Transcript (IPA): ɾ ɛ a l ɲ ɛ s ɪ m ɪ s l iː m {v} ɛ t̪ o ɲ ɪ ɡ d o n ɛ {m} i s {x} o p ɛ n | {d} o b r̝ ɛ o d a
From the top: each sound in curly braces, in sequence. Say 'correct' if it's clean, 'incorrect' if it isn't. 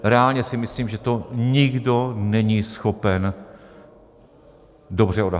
incorrect, incorrect, correct, correct

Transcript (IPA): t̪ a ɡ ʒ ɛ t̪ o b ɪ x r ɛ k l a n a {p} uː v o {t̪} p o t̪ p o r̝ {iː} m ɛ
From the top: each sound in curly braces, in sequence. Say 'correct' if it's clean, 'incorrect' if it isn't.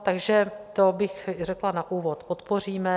incorrect, correct, correct

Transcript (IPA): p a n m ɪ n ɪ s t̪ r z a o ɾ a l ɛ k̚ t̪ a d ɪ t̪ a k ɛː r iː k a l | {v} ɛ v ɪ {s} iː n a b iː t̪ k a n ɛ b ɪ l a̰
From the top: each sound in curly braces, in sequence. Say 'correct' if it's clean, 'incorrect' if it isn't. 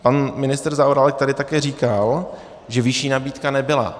incorrect, incorrect

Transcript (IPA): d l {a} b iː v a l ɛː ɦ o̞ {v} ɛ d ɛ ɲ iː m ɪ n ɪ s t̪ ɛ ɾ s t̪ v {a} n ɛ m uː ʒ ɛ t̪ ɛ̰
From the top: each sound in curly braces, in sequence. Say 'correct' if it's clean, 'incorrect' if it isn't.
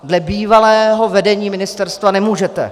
incorrect, correct, correct

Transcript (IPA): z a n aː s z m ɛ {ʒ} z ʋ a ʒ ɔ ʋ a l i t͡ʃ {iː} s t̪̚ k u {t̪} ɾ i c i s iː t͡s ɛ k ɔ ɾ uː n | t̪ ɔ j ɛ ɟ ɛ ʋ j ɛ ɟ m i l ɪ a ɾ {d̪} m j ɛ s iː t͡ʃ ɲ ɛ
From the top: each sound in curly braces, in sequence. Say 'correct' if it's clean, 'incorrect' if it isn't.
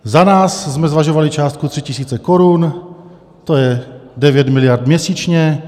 incorrect, incorrect, correct, correct

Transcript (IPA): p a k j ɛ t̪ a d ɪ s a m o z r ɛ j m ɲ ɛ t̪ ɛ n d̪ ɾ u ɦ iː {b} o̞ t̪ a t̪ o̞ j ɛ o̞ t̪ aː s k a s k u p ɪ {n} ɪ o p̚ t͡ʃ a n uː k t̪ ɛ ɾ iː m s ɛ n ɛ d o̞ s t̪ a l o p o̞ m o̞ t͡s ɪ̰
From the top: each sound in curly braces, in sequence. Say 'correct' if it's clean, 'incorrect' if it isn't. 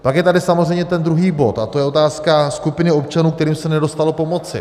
correct, correct

